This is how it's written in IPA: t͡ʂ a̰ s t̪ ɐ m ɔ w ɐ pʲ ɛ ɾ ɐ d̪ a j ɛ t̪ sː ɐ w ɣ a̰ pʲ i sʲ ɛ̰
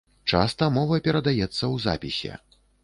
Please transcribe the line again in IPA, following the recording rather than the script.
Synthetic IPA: t͡ʂ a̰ s t̪ ɐ m ɔ v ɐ pʲ ɛ ɾ ɐ d̪ a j ɛ t̪ sː ɐ w z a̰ pʲ i sʲ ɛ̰